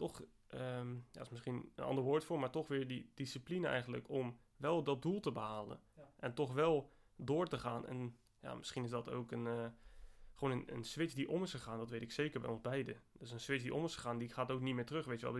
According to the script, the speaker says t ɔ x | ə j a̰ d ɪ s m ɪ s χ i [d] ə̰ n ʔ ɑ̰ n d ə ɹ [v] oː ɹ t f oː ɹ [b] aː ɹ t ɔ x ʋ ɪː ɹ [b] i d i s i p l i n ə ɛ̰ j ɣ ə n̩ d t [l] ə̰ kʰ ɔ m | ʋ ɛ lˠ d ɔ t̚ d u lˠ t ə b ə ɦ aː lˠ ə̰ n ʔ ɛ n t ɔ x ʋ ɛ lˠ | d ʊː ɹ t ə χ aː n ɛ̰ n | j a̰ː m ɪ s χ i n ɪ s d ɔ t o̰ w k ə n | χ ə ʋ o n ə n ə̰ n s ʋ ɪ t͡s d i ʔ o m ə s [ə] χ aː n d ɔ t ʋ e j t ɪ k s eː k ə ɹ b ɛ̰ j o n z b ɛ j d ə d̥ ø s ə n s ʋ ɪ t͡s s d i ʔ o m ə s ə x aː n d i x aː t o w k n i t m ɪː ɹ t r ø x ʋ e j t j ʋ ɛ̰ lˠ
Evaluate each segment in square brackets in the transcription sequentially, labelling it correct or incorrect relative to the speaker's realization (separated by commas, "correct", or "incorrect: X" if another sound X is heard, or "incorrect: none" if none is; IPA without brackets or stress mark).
incorrect: n, incorrect: ʋ, incorrect: m, incorrect: d, correct, correct